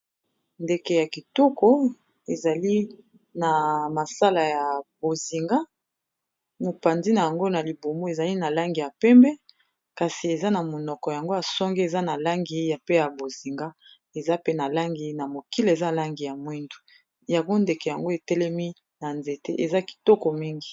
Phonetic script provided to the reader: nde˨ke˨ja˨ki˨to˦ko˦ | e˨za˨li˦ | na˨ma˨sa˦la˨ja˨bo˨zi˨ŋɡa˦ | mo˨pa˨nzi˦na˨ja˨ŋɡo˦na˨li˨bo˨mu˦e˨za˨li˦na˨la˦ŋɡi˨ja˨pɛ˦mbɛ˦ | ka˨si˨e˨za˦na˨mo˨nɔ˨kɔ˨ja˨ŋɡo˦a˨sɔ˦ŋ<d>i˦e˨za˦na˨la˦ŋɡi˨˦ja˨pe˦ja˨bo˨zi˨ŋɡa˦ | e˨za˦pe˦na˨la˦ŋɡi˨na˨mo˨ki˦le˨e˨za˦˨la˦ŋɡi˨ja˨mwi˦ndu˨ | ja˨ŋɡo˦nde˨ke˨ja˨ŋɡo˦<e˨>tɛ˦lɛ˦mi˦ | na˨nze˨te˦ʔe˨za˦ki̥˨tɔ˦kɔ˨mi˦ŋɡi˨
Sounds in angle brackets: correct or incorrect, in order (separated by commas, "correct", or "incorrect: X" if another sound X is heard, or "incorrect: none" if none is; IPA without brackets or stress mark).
incorrect: ɡ, correct